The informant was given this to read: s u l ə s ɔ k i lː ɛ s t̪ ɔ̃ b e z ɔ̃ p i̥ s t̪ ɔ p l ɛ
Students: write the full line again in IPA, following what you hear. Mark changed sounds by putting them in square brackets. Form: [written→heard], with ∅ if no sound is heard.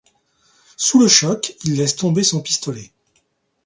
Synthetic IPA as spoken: s u l ə [s→ʃ] ɔ k i lː ɛ s t̪ ɔ̃ b e [z→s] ɔ̃ p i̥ s t̪ ɔ [p→∅] l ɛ